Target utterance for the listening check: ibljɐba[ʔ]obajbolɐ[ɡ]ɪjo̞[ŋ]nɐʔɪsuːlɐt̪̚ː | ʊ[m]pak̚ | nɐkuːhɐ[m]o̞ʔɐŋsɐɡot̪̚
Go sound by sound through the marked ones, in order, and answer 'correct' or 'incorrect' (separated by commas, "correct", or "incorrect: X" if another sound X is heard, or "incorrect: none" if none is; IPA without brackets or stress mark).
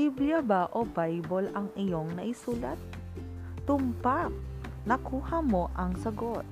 correct, incorrect: ŋ, correct, correct, correct